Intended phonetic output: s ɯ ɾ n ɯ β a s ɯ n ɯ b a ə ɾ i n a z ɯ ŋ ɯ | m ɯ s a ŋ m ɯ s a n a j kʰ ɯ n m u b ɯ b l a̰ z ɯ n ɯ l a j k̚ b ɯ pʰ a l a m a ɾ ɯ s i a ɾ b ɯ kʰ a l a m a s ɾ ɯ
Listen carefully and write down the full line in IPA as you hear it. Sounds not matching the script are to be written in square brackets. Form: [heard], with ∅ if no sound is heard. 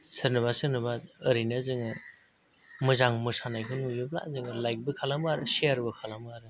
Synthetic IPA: s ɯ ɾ n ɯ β a s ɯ n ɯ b a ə ɾ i n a z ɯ ŋ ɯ | m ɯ [z] a ŋ m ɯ s a n a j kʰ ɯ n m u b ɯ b l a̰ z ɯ [ŋ] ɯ l a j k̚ b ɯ [kʰ] a l a m a ɾ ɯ s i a ɾ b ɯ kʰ a l a m a [∅] ɾ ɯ